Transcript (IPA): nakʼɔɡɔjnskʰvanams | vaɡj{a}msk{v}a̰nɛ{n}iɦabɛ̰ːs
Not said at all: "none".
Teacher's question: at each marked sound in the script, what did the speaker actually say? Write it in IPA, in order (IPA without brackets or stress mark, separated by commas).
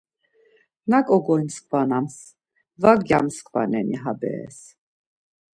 a, v, n